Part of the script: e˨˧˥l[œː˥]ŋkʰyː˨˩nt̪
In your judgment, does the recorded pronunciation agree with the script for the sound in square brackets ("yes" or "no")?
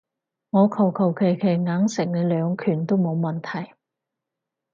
no